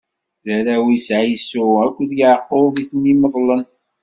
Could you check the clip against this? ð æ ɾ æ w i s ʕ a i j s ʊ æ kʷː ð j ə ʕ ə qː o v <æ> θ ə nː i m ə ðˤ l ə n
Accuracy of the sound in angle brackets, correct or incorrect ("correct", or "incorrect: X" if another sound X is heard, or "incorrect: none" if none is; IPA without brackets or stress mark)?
incorrect: i